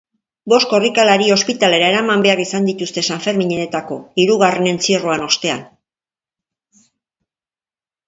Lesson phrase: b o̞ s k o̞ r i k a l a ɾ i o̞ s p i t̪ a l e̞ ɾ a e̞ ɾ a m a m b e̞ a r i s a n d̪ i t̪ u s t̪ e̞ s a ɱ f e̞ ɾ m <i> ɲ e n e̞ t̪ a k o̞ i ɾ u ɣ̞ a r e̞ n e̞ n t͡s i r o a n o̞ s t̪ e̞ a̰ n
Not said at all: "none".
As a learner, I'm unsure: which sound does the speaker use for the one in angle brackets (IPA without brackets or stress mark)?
i